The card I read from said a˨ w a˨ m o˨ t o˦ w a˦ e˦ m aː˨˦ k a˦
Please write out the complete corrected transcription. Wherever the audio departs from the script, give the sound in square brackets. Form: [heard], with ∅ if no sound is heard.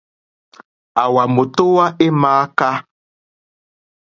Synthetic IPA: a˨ w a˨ m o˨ t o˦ w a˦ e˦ m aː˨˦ k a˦